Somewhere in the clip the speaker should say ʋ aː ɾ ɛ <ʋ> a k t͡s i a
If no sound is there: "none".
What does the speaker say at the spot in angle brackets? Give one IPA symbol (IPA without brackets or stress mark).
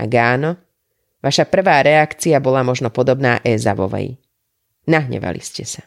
none